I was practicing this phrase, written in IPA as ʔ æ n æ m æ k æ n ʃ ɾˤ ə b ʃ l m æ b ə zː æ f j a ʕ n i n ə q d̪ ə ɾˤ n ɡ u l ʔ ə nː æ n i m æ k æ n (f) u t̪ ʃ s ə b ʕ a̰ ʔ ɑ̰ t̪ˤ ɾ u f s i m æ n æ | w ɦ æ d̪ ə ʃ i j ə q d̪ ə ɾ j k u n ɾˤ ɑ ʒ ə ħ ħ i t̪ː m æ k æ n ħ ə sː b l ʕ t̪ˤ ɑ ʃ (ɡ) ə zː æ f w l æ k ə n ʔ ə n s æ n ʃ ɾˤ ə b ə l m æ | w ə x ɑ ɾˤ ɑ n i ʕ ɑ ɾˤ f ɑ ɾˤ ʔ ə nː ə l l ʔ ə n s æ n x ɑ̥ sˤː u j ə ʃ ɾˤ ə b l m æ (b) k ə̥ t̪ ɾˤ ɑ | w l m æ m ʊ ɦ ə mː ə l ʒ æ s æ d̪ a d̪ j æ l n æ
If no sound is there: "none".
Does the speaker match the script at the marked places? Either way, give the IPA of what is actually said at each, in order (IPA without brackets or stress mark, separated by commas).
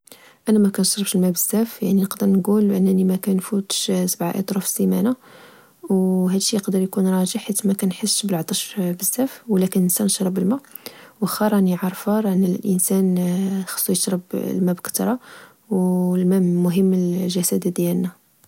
f, b, b